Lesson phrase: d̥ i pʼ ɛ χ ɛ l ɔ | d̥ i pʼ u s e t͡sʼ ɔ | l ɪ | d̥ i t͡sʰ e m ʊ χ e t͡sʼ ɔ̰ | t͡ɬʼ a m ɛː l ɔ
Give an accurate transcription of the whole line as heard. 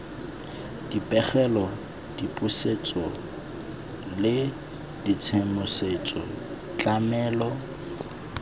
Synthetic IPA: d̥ i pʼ ɛ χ ɛ l ɔ | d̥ i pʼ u s e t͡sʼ ɔ | l ɪ | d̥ i t͡sʰ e m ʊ s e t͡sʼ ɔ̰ | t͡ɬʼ a m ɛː l ɔ